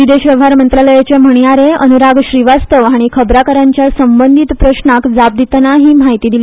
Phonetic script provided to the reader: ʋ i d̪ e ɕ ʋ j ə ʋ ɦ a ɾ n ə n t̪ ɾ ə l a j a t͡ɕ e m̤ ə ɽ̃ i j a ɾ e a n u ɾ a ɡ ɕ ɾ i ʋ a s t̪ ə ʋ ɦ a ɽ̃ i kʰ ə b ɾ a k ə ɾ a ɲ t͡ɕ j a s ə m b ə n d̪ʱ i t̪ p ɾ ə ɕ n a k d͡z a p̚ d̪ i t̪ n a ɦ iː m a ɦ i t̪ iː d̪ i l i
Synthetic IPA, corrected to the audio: ʋ i d̪ e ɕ ʋ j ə ʋ ɦ a ɾ m ə n t̪ ɾ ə l ə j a t͡ɕ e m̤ ə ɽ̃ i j a ɾ e ə n u ɾ a ɡ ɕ ɾ i ʋ a s t̪ ə ʋ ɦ a ɽ̃ i kʰ ə b ɾ a k ə ɾ a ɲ t͡ɕ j a s ə m b ə n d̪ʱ i t̪ p ɾ ə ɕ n a k d͡z a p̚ d̪ i t̪ n a ɦ iː m a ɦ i t̪ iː d̪ i l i